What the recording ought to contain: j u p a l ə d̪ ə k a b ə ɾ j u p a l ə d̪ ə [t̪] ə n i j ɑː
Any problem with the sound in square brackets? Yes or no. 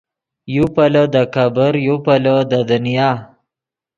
yes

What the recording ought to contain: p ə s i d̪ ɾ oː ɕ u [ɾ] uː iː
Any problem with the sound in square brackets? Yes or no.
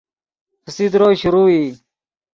no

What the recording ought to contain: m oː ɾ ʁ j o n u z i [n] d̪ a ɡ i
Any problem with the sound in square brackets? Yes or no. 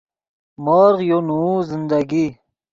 no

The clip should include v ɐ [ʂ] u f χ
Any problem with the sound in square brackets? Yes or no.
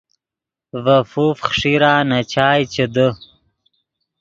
yes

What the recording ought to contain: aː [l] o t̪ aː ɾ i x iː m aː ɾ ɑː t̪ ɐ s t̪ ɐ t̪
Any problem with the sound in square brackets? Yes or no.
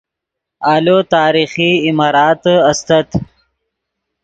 no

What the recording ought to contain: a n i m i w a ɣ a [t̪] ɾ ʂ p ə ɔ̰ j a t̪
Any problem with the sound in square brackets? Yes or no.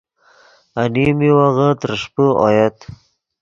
no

